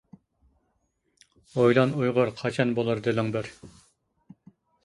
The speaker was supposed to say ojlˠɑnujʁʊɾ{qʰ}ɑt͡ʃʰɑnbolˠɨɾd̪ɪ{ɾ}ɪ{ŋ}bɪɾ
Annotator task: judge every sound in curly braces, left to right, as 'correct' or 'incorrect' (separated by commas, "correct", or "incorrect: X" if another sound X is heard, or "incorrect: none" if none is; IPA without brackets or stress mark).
correct, incorrect: l, correct